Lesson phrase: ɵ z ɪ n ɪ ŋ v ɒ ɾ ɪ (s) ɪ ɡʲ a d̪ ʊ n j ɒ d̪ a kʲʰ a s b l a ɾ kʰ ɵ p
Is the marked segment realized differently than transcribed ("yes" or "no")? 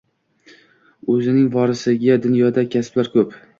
no